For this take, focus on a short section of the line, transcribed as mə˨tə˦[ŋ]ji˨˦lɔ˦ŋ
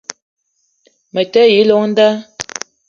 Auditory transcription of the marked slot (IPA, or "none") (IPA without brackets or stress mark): none